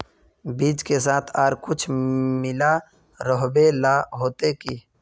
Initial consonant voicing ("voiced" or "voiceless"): voiced